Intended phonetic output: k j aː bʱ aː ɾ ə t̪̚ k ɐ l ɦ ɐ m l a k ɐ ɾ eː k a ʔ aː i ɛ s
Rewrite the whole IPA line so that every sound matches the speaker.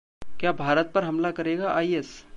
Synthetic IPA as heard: k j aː bʱ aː ɾ ə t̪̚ p ɐ ɾ ɦ ɐ m l a k ɐ ɾ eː ɡ a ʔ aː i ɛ s

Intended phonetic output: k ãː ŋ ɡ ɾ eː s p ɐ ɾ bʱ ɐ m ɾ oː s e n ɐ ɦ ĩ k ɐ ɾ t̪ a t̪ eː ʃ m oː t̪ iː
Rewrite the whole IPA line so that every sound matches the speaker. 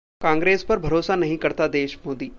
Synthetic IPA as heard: k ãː ŋ ɡ ɾ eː s p ɐ ɾ bʱ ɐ ɾ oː s a n ɐ ɦ ĩ k ɐ ɾ t̪ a d̪ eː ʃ m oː d̪ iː

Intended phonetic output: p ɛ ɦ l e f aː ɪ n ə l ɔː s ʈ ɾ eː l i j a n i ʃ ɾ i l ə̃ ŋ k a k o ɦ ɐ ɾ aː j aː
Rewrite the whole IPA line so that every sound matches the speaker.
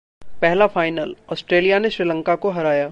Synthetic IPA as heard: p ɛ ɦ l a f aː ɪ n ə l ɔː s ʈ ɾ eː l i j a n e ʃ ɾ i l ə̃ ŋ k a k o ɦ ɐ ɾ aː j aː

